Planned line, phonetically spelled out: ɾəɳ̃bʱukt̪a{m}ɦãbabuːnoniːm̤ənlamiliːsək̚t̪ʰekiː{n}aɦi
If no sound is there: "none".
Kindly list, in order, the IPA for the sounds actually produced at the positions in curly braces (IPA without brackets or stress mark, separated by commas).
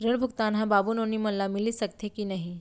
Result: n, n